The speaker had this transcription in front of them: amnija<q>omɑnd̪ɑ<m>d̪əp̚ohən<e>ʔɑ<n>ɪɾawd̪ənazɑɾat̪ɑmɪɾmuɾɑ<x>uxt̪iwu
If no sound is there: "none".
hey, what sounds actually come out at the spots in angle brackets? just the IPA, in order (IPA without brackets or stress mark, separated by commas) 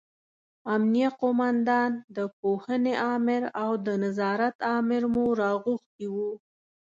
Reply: q, n, e, m, ɣ